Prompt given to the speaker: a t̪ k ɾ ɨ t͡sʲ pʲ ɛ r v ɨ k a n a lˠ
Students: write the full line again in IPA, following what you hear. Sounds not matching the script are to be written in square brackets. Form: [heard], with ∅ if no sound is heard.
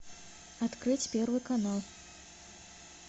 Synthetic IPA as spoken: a t̪ k ɾ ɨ t͡sʲ pʲ ɛ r v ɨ k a n a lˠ